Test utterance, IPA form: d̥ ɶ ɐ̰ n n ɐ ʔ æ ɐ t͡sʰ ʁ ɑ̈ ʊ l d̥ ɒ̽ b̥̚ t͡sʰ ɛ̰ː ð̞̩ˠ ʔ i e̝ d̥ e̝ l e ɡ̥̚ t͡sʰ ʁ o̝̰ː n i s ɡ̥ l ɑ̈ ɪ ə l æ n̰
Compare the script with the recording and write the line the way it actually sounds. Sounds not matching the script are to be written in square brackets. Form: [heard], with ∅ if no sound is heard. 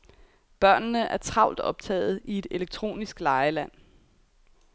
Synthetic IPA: [b̥] ɶ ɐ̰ n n [ə] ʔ æ ɐ t͡sʰ ʁ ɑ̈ ʊ l d̥ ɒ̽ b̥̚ t͡sʰ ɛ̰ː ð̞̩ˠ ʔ i e̝ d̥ e̝ l e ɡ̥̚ t͡sʰ ʁ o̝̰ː n i s ɡ̥ l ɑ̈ ɪ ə l æ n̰

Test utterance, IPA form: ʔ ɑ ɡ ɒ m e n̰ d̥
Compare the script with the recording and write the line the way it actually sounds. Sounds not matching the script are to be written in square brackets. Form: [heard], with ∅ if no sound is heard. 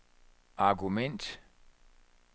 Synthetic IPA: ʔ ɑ ɡ [u] m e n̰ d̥

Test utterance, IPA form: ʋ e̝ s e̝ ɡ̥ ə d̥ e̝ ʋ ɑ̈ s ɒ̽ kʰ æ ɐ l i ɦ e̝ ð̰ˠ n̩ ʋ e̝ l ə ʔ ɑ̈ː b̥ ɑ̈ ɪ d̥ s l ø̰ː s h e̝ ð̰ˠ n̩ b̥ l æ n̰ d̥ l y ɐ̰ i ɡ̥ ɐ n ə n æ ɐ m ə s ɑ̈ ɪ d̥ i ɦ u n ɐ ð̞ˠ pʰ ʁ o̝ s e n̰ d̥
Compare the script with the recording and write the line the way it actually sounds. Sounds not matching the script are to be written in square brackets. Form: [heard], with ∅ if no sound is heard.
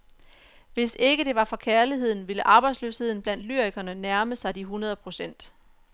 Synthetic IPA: ʋ e̝ s e̝ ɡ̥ ə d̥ e̝ ʋ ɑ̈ [f] ɒ̽ kʰ æ ɐ l i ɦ e̝ ð̰ˠ n̩ ʋ e̝ l ə ʔ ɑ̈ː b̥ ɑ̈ ɪ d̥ s l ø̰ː s h e̝ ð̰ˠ n̩ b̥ l æ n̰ d̥ l y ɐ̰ i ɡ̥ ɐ n ə n æ ɐ m ə s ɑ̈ ɪ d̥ i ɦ u n ɐ ð̞ˠ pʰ ʁ o̝ s e n̰ d̥

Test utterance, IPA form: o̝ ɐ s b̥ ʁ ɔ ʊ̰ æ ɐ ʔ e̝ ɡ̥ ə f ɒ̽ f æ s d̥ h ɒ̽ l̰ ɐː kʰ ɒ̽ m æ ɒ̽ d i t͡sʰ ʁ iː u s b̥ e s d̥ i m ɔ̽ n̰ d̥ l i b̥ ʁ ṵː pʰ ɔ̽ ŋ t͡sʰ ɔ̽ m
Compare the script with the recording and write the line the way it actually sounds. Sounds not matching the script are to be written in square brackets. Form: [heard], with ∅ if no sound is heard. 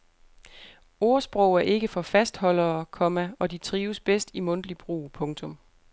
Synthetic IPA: o̝ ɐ s b̥ ʁ ɔ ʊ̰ æ ɐ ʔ e̝ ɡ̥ ə f ɒ̽ f æ s d̥ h ɒ̽ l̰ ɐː kʰ ɒ̽ m æ ɒ̽ d i t͡sʰ ʁ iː [ʊ] s b̥ e s d̥ i m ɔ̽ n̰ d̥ l i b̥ ʁ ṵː pʰ ɔ̽ ŋ t͡sʰ ɔ̽ m

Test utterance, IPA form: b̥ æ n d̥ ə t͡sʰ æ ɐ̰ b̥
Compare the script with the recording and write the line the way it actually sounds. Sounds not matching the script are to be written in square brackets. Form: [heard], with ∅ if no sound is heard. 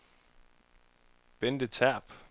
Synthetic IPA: b̥ [e] n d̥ ə t͡sʰ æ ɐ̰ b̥

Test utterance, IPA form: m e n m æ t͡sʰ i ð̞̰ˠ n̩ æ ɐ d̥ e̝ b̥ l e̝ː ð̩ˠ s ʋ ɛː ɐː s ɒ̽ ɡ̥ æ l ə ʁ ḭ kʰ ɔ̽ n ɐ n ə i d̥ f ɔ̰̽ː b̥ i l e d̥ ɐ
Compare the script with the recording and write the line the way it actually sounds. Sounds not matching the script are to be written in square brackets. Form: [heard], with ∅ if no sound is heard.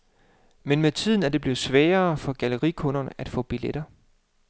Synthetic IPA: m e n m [e] t͡sʰ i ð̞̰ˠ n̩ æ ɐ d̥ e̝ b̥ l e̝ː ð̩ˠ s ʋ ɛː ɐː [f] ɒ̽ ɡ̥ æ l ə ʁ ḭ kʰ ɔ̽ n ɐ n ə [æ] d̥ f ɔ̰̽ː b̥ i l e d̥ ɐ

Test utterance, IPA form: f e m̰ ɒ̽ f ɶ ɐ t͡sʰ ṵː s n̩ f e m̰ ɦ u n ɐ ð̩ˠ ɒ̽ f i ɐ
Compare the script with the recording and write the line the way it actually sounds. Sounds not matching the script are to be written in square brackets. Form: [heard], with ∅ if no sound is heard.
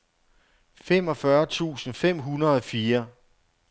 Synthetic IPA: f e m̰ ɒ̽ f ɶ ɐ t͡sʰ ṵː s n̩ f e m̰ ɦ u n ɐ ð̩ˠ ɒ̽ f [iː] ɐ

